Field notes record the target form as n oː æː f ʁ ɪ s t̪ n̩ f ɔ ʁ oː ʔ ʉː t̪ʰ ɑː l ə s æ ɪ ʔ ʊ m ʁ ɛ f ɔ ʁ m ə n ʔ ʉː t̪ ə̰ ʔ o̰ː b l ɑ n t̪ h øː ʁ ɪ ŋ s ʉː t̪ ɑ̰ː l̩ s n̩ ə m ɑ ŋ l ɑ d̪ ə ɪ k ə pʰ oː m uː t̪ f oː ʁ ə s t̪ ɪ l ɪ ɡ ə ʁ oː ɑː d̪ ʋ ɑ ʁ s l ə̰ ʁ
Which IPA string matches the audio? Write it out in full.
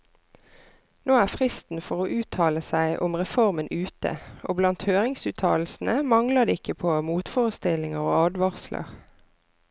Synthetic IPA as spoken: n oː æː f ʁ ɪ s t̪ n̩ f ɔ ʁ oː ʔ ʉː t̪ʰ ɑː l ə s æ ɪ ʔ ʊ m ʁ ɛ f ɔ ʁ m ə n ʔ ʉː t̪ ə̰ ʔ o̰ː b l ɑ n t̪ h øː ʁ ɪ ŋ s ʉː t̪ʰ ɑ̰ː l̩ s n̩ ə m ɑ ŋ l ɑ d̪ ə ɪ k ə pʰ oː m uː t̪ f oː ʁ ə s t̪ ɪ l ɪ ŋ ə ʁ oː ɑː d̪ ʋ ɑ ʁ s l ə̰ ʁ